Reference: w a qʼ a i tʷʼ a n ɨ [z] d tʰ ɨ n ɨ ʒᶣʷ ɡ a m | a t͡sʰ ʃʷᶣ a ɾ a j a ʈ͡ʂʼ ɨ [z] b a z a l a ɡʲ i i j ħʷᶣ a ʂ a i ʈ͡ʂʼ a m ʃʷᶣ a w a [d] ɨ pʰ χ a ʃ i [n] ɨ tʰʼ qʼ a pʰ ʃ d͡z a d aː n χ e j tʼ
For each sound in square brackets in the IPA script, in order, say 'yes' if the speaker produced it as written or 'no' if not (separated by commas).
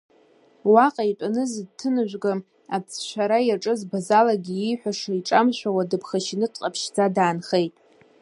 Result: yes, yes, yes, yes